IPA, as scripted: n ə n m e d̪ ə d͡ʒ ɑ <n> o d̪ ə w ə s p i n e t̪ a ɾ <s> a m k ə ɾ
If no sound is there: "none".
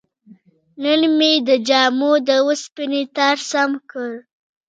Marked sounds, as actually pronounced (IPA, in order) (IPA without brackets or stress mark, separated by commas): m, s